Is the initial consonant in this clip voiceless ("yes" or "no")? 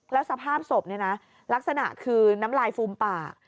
no